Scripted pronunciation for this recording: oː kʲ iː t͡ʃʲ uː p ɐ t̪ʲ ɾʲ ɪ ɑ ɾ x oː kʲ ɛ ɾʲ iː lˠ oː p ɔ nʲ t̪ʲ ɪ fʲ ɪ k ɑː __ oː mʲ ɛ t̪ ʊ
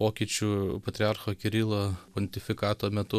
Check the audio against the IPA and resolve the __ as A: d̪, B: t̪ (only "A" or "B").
B